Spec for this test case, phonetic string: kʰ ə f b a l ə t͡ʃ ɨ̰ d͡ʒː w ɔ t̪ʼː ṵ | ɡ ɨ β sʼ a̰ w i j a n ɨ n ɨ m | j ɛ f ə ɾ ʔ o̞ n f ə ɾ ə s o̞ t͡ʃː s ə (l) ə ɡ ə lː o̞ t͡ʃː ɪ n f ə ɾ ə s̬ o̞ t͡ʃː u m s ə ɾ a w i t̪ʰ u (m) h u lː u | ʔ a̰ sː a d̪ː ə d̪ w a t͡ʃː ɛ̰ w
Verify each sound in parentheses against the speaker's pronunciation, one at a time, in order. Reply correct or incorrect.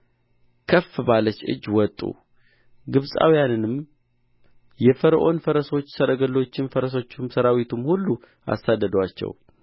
incorrect: ɾ, correct

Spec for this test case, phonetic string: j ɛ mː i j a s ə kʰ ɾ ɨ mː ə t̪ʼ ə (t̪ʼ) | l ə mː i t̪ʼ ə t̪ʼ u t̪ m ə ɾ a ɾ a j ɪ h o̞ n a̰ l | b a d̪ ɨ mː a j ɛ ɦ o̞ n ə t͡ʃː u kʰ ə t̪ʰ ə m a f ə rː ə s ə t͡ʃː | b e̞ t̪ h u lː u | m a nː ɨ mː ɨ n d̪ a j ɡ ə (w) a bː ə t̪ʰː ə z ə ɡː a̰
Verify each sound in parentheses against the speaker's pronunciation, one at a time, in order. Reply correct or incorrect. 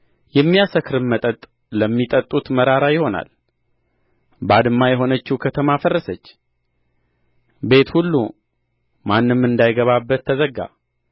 correct, incorrect: β

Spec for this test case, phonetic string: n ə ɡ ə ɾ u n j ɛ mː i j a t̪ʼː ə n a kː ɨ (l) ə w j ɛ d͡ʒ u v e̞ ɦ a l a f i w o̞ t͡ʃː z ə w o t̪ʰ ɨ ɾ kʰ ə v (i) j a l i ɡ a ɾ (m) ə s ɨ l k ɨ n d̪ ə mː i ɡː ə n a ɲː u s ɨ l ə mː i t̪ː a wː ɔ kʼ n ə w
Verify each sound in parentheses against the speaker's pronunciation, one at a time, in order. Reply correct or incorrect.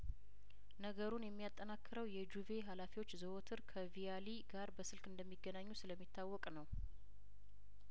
incorrect: ɾ, correct, incorrect: b

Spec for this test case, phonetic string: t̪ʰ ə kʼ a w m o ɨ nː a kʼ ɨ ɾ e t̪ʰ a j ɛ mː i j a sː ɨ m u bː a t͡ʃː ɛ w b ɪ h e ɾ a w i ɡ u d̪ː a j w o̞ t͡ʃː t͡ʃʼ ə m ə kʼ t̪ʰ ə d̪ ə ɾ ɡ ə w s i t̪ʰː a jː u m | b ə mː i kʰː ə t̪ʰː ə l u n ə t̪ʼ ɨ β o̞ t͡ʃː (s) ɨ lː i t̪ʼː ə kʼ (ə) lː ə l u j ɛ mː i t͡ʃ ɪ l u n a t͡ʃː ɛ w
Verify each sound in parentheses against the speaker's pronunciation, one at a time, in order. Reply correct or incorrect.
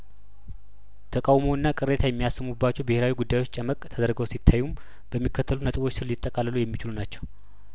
correct, incorrect: a

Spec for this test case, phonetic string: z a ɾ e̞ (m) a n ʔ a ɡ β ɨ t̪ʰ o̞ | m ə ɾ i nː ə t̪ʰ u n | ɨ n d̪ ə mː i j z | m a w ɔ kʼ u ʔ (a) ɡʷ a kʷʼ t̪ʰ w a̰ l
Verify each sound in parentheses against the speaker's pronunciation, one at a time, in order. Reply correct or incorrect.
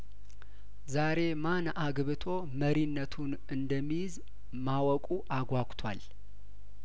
correct, correct

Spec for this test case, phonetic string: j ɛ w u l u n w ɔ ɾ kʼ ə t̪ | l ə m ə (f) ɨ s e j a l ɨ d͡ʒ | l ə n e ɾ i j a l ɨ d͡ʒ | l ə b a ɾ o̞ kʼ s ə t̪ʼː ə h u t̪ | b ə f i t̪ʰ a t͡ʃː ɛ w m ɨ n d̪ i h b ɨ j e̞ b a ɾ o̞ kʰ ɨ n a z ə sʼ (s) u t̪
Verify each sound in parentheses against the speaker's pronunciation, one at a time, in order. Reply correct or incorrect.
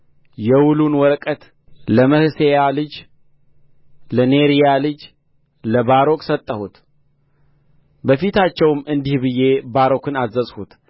incorrect: h, incorrect: h

